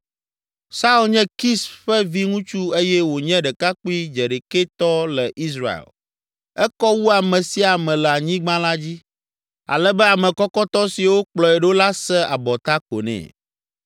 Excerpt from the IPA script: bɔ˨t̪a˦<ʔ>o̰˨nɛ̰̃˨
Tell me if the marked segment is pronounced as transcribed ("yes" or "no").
no